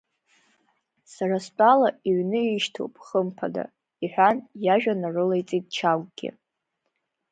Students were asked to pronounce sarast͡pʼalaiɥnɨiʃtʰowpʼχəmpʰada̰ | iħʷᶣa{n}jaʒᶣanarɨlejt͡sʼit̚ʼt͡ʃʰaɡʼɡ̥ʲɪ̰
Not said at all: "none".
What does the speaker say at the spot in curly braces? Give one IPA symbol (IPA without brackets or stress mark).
n